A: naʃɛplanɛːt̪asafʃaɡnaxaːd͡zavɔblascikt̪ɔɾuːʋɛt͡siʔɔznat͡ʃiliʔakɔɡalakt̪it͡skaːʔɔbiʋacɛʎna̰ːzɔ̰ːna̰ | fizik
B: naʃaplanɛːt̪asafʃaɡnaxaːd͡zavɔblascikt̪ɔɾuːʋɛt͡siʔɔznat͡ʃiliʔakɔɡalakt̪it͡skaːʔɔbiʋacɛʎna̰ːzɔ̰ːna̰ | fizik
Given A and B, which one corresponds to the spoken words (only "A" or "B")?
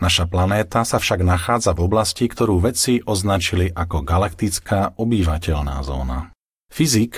B